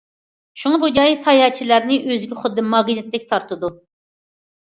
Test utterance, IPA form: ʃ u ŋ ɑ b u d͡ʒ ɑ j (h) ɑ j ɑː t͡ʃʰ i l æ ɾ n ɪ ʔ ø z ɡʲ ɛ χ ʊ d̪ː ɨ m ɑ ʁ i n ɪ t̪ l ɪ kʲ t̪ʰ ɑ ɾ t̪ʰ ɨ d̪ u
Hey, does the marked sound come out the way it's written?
no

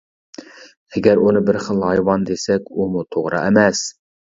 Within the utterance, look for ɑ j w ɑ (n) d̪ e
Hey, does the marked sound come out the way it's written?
yes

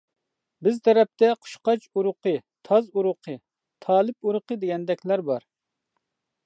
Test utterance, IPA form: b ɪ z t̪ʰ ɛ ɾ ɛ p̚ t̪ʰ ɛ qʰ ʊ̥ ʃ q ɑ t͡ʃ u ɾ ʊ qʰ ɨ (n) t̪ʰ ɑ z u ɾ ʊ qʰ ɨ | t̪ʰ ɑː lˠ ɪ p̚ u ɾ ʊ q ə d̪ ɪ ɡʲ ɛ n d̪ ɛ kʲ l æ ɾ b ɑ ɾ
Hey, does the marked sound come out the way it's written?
no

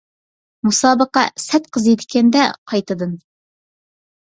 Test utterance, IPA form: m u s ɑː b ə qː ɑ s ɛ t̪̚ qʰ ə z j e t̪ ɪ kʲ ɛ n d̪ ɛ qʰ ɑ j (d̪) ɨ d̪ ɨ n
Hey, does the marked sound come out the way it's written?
no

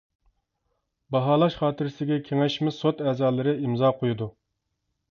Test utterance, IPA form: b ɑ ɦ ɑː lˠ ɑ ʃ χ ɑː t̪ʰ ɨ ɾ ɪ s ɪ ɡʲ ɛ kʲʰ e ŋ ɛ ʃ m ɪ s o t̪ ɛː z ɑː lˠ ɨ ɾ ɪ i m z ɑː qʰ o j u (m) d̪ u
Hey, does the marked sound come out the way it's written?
no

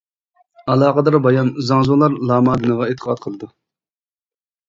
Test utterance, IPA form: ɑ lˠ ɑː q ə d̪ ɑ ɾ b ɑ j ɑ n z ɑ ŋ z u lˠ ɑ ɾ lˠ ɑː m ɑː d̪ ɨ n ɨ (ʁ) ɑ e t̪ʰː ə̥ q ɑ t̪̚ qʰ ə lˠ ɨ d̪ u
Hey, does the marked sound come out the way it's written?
yes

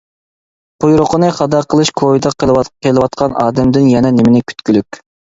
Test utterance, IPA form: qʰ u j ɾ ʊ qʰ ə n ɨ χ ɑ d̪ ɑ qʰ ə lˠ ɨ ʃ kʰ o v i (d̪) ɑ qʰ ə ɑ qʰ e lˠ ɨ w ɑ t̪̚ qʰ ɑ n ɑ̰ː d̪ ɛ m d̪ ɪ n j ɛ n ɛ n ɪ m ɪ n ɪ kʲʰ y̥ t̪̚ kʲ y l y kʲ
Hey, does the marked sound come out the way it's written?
yes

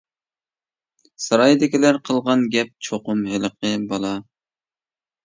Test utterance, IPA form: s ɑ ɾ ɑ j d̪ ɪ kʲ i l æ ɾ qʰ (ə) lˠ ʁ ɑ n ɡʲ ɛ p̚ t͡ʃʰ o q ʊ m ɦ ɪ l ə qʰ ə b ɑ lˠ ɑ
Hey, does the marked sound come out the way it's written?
yes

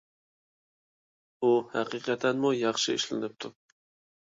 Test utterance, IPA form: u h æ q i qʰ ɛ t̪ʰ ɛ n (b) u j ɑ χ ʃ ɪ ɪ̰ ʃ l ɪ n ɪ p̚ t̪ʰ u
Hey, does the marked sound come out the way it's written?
no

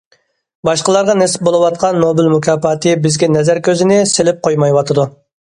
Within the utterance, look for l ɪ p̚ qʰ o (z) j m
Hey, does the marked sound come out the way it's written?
no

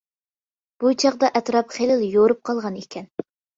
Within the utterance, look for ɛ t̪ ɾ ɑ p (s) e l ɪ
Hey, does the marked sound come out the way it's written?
no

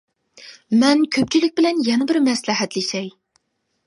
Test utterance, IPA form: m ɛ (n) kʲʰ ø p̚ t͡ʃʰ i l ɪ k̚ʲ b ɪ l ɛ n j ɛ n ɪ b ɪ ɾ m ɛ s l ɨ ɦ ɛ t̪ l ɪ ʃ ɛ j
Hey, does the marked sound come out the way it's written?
yes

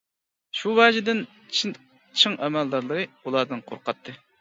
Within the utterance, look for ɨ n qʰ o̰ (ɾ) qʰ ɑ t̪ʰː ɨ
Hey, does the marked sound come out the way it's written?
yes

